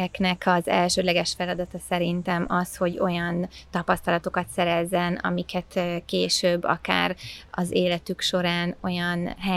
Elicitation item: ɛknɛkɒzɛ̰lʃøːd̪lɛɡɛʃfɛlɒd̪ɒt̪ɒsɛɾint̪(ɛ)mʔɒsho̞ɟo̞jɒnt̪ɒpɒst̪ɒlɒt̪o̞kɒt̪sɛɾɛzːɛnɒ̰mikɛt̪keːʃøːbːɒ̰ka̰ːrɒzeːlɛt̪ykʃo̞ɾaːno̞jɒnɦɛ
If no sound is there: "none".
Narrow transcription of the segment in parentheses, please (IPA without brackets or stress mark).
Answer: ɛ